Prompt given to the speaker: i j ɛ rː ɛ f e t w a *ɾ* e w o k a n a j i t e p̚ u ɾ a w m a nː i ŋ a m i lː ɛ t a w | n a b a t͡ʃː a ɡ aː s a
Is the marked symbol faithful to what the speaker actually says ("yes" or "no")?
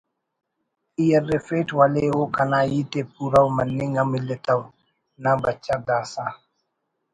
no